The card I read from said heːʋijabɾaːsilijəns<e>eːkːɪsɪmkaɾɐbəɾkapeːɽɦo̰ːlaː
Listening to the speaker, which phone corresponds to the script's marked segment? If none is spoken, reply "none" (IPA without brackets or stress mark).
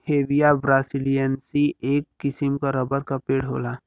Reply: i